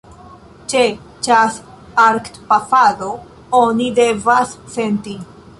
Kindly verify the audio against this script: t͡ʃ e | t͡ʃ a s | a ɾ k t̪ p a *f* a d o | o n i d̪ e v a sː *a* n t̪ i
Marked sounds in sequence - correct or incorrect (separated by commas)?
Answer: correct, incorrect